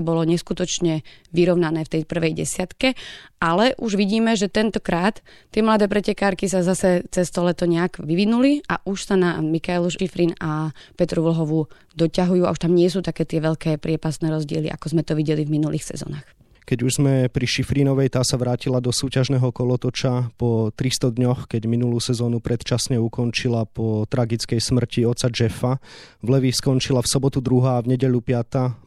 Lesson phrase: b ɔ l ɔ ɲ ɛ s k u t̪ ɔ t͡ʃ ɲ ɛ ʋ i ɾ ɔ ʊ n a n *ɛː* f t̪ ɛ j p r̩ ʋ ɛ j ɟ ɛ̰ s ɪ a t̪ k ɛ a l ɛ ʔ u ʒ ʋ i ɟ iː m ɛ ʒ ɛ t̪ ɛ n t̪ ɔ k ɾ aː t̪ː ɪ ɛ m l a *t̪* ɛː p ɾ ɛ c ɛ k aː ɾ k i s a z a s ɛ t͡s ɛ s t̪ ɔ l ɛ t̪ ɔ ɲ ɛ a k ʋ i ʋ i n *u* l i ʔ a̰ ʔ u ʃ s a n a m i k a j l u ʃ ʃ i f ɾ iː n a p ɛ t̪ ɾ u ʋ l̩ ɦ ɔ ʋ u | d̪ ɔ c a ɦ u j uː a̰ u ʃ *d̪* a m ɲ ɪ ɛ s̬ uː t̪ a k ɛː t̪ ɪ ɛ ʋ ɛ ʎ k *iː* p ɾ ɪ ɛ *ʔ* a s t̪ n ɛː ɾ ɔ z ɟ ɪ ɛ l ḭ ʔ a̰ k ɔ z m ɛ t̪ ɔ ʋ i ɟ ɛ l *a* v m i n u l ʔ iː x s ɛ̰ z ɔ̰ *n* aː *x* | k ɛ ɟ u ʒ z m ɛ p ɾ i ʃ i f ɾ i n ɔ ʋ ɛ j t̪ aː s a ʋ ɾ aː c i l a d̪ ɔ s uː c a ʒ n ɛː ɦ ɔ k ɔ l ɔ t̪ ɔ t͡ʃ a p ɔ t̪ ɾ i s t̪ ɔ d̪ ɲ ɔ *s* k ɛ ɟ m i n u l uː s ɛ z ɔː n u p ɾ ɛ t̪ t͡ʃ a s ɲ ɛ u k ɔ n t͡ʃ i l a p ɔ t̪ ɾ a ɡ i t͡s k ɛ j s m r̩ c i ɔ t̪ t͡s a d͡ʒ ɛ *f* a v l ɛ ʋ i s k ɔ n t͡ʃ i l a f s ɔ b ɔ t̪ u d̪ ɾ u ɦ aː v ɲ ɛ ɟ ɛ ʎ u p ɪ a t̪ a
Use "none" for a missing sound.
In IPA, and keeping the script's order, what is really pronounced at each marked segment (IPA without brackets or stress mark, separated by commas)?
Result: ɛː, d̪, u, t̪, ɛː, p, i, n, x, x, f